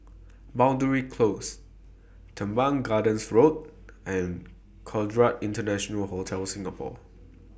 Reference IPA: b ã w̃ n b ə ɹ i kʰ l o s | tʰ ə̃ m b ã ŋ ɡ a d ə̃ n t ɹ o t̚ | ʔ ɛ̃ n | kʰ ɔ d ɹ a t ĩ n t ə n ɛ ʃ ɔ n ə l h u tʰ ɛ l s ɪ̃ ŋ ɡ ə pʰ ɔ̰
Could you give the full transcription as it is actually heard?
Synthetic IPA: b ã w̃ n d ə ɹ i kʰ l o s | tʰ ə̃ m b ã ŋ ɡ a d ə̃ n s ɹ o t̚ | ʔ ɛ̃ n | kʰ ɔ d ɹ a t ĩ n t ə n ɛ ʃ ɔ n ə l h o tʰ ɛ l s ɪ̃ ŋ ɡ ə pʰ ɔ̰

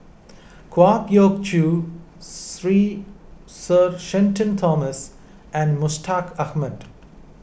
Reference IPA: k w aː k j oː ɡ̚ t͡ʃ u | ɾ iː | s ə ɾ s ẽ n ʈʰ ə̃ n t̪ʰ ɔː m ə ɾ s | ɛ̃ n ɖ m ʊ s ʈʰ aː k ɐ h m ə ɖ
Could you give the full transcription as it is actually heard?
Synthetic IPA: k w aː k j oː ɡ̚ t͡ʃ u | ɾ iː | s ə ɾ ʃ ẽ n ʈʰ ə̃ n t̪ʰ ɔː m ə s | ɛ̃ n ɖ m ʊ s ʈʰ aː k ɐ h m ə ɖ

